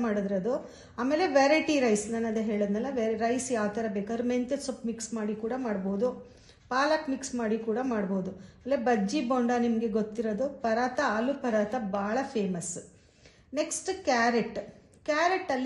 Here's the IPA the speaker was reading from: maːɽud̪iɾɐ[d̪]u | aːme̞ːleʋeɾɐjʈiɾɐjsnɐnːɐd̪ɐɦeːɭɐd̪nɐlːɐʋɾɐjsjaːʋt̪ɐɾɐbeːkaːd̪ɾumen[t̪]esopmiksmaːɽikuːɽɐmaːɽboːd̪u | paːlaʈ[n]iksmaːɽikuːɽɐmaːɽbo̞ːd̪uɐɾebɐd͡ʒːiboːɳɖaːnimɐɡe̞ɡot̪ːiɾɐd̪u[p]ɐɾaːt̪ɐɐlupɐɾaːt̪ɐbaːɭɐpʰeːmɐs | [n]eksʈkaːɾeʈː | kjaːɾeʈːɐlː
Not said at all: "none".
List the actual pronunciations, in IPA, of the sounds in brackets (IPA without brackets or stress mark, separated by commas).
d̪, t̪, m, p, n